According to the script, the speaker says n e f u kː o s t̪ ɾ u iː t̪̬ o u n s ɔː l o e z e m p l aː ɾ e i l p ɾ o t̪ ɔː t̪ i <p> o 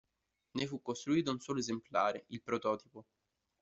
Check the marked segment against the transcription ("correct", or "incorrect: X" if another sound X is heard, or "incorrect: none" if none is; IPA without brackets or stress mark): correct